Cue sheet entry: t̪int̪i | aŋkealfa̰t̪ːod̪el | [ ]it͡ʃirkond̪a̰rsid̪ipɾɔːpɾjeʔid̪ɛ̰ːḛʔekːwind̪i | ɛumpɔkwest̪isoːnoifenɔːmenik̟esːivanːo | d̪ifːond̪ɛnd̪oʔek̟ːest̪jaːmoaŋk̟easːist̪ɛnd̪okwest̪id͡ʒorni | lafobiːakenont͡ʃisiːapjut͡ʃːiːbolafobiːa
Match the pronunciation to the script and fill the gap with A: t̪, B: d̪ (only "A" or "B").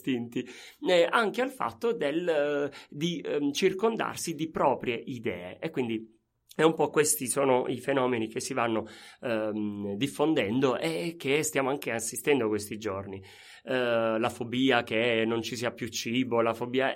B